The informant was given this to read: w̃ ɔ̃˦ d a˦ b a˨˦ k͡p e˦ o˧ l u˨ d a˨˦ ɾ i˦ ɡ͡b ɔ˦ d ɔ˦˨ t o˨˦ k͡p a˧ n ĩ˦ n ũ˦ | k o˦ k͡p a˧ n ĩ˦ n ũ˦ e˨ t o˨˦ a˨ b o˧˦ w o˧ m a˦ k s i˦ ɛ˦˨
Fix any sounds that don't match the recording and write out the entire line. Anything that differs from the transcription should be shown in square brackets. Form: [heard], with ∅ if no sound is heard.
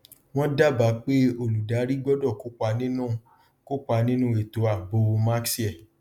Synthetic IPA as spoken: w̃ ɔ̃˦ d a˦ b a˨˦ k͡p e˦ o˧ l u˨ d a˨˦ ɾ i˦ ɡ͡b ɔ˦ d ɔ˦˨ [k] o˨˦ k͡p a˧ n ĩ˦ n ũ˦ | k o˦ k͡p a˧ n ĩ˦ n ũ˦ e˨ t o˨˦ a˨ b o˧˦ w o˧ m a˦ k s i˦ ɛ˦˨